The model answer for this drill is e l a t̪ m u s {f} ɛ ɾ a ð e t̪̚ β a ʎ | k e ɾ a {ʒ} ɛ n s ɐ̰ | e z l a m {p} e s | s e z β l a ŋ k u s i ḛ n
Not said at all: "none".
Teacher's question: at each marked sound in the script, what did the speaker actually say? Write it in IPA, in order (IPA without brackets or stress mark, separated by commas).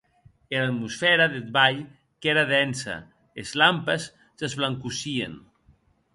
f, ð, p